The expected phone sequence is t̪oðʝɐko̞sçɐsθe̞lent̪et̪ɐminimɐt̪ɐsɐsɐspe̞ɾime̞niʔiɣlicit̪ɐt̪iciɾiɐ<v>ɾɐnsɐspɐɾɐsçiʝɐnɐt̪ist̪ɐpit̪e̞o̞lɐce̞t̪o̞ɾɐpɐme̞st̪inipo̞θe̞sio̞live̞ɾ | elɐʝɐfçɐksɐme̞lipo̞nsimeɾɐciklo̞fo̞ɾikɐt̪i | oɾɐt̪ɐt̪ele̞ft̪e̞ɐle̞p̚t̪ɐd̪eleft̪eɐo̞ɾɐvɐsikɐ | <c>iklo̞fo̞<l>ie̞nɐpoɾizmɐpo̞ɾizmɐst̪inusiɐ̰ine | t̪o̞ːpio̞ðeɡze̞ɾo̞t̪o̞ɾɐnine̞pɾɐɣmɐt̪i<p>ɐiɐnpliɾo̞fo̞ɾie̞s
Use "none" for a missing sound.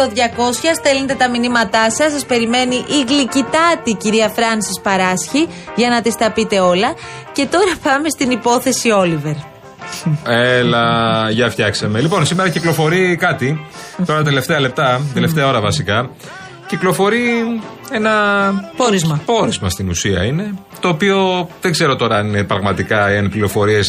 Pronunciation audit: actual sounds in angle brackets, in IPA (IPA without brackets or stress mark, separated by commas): f, c, ɾ, k